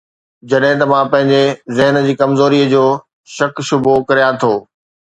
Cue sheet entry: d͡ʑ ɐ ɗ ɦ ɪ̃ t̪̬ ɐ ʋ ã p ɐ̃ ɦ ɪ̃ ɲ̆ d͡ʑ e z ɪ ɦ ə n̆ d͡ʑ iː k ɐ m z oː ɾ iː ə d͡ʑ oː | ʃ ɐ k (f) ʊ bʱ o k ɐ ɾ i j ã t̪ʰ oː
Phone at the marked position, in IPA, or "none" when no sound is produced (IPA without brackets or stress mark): ʃ